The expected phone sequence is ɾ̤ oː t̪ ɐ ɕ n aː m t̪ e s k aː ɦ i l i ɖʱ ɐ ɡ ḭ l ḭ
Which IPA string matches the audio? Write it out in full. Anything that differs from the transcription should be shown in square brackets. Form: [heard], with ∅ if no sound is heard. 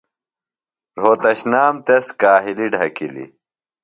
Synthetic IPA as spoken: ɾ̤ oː t̪ ɐ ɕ n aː m t̪ e s k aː ɦ i l i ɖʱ ɐ [k] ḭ l ḭ